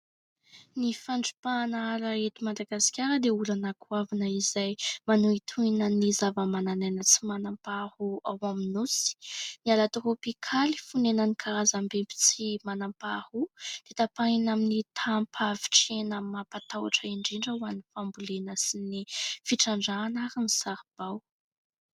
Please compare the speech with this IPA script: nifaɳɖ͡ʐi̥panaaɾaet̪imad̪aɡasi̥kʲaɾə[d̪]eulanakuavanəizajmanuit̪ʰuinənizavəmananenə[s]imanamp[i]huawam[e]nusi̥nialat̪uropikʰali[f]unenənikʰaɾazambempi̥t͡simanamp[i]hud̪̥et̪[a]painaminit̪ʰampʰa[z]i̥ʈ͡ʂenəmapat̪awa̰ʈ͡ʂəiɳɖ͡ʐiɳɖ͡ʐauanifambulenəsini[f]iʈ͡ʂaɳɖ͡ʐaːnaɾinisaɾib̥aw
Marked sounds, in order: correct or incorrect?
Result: correct, incorrect, incorrect, incorrect, correct, incorrect, correct, incorrect, correct

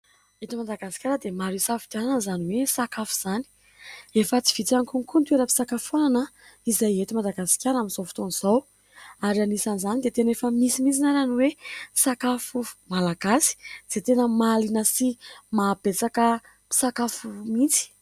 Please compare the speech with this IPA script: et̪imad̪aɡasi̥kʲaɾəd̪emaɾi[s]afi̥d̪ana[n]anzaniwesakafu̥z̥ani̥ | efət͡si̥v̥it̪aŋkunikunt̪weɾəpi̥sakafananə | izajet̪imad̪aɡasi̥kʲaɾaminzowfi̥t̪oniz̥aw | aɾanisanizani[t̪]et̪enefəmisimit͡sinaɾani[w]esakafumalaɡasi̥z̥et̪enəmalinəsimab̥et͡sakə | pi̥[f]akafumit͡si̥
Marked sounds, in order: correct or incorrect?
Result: correct, correct, incorrect, correct, incorrect

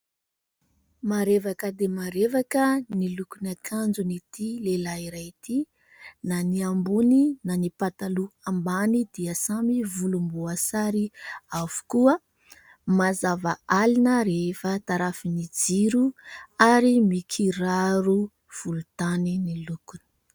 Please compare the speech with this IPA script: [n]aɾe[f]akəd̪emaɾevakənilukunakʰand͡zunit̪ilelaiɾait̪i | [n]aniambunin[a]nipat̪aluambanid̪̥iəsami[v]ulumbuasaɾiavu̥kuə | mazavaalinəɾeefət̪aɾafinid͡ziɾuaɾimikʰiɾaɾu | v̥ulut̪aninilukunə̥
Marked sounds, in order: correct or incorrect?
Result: incorrect, incorrect, correct, correct, correct

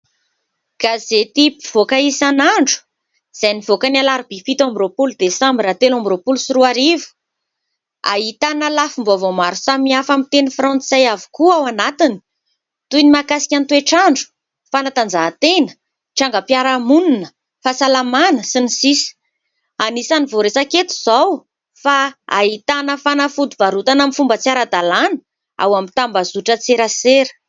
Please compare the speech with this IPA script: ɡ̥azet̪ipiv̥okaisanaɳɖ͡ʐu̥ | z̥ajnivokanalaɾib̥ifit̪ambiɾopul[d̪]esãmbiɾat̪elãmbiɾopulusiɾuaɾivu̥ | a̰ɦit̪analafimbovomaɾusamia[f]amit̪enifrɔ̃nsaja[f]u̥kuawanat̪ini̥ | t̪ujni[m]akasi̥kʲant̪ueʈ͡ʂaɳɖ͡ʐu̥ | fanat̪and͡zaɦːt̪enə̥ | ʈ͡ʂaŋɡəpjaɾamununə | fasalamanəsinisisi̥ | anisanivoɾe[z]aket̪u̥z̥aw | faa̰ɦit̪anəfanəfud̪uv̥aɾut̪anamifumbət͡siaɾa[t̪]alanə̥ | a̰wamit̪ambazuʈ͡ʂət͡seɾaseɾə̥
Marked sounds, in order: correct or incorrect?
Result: correct, correct, incorrect, correct, incorrect, incorrect

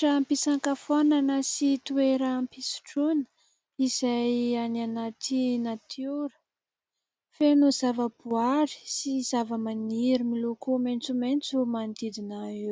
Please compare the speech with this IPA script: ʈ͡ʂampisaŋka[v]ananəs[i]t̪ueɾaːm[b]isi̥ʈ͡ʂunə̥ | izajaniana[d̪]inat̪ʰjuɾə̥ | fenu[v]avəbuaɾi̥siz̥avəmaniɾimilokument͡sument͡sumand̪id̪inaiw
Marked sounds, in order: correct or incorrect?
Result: incorrect, correct, incorrect, incorrect, incorrect

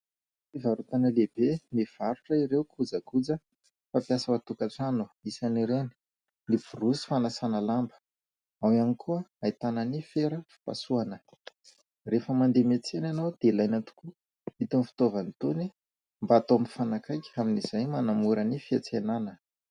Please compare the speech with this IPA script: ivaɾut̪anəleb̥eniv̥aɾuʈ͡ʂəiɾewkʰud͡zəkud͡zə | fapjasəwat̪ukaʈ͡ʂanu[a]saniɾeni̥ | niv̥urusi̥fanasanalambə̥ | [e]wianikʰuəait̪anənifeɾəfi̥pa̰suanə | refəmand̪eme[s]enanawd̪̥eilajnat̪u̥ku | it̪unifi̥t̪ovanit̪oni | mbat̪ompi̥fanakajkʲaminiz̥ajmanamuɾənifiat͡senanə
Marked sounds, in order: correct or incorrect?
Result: incorrect, incorrect, incorrect

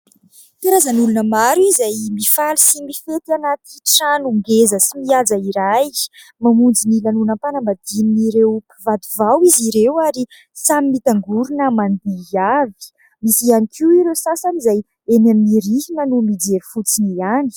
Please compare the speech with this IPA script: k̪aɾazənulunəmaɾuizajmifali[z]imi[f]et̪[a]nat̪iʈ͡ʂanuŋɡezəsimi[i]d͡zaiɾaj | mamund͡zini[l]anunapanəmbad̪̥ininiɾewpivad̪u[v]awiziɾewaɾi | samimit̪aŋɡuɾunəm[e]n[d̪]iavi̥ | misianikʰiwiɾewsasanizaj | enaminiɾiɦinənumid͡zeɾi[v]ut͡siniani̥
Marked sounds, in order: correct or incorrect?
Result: incorrect, correct, correct, incorrect, correct, correct, incorrect, correct, incorrect

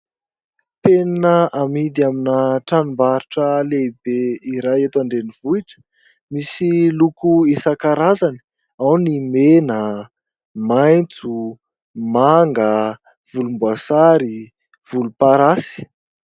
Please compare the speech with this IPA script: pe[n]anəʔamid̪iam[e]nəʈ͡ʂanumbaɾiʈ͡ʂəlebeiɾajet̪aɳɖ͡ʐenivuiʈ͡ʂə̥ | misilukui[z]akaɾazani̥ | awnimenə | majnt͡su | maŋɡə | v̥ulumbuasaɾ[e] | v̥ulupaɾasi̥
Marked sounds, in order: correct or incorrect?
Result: correct, incorrect, incorrect, incorrect

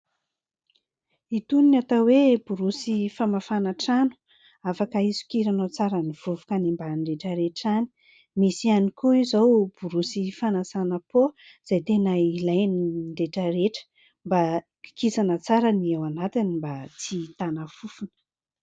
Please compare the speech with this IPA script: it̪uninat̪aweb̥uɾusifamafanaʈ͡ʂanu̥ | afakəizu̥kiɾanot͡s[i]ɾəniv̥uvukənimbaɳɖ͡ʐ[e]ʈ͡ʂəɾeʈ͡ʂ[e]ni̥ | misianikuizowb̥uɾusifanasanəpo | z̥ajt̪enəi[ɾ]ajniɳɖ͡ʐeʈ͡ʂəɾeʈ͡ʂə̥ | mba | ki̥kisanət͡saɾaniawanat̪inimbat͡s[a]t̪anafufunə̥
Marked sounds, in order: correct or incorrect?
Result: incorrect, correct, incorrect, incorrect, incorrect

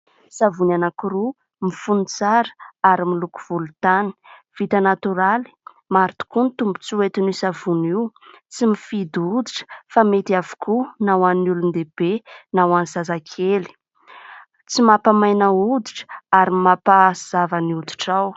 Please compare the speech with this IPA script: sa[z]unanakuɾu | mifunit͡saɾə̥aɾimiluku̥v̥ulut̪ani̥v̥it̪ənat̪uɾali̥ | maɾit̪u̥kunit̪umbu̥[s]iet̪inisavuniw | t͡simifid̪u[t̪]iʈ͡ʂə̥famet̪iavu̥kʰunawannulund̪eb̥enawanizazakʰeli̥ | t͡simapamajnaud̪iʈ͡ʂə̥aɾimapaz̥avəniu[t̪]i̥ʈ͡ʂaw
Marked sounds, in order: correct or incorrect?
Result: incorrect, incorrect, incorrect, incorrect

